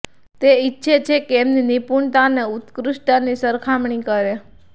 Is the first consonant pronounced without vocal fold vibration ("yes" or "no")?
yes